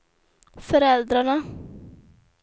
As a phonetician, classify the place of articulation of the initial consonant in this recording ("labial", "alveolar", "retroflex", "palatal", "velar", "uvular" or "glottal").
labial